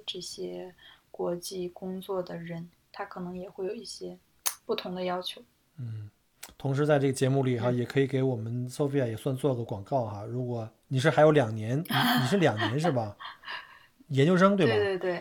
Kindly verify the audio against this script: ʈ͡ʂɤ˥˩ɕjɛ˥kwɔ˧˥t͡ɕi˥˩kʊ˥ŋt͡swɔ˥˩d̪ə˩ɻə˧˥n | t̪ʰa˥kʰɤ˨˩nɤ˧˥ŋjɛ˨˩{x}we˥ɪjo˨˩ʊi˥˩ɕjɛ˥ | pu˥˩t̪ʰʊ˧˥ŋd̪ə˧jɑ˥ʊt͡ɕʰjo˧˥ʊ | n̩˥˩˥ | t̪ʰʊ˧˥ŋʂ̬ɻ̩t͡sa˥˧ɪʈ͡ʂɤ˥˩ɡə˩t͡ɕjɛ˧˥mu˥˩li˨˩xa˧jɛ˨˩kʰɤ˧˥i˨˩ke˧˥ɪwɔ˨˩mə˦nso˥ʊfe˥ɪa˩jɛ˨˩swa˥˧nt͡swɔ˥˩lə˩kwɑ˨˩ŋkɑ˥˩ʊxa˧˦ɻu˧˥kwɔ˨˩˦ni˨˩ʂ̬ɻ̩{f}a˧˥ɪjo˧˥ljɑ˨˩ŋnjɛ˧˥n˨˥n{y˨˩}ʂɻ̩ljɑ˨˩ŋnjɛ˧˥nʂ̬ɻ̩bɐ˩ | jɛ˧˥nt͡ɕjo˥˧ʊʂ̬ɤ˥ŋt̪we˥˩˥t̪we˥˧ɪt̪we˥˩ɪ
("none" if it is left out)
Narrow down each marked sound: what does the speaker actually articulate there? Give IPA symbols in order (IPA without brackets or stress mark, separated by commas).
x, x, i˨˩